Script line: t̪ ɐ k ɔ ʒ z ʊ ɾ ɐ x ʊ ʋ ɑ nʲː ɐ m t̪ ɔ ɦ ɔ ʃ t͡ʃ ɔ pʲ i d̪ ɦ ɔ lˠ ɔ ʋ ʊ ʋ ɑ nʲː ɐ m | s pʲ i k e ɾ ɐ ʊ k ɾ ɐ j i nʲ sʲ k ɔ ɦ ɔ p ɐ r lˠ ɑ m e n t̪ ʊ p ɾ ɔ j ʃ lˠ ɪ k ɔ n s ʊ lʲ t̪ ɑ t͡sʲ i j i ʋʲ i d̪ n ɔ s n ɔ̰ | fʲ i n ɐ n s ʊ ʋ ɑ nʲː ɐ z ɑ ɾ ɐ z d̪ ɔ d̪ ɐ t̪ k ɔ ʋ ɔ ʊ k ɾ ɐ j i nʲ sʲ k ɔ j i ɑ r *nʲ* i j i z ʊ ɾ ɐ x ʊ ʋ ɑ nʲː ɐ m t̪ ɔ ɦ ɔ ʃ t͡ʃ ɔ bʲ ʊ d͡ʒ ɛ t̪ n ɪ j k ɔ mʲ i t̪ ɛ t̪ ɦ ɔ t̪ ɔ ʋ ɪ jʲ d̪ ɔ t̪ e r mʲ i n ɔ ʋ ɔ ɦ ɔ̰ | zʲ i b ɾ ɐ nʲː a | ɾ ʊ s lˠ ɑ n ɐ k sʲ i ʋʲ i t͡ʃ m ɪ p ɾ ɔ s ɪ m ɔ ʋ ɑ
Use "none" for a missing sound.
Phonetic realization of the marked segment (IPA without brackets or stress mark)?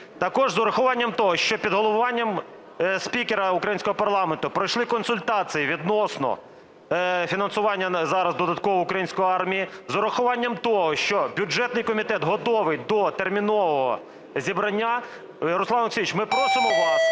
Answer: mʲ